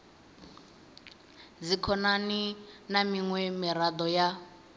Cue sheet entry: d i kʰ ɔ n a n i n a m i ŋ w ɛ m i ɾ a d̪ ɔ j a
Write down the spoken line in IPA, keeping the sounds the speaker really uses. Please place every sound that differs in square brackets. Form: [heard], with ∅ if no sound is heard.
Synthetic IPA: [d͡z] i kʰ ɔ n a n i n a m i ŋ w ɛ m i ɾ a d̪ ɔ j a